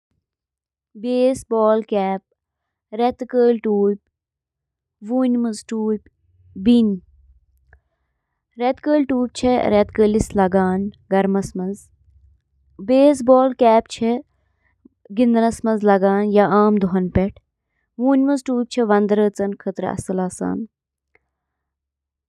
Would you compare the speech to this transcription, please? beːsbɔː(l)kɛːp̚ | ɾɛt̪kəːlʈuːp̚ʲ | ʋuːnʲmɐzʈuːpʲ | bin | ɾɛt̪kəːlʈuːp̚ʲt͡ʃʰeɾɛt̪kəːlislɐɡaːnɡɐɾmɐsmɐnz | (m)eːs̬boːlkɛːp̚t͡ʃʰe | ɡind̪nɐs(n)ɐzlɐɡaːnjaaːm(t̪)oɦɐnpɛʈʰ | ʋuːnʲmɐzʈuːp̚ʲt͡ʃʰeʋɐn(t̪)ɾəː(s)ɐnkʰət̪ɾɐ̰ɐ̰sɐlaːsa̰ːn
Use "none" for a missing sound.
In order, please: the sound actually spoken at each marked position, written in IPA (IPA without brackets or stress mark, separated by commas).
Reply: l, b, m, d̪, d̪, t͡s